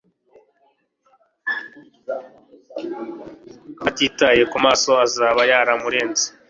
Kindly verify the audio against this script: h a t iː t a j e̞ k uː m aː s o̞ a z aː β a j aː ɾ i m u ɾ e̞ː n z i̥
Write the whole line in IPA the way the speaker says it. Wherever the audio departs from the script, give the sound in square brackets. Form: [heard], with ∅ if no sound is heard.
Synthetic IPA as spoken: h a t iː t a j e̞ k [u] m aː s o̞ a z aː β a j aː ɾ [a] m u ɾ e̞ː n z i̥

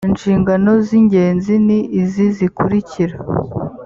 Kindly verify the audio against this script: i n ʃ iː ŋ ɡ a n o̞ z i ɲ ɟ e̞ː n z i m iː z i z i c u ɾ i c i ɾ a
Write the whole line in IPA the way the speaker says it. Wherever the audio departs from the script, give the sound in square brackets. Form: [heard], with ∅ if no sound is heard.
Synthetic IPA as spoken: i n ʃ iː ŋ ɡ a n o̞ z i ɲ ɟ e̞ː n z i [n] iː z i z i [k] u ɾ i c i ɾ a

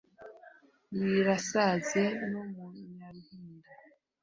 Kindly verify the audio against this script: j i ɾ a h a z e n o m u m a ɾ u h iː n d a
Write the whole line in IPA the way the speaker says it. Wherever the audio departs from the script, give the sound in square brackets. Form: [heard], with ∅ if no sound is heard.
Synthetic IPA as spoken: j i ɾ a [s] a z e n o m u [ɲ] a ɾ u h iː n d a

